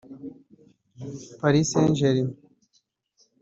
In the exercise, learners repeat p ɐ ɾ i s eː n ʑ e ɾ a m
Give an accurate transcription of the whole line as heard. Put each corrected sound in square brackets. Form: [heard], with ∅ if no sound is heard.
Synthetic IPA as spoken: p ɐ ɾ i s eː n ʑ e ɾ [i] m